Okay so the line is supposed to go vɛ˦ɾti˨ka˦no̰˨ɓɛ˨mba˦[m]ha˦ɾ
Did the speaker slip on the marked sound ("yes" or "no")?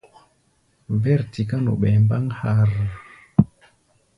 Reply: yes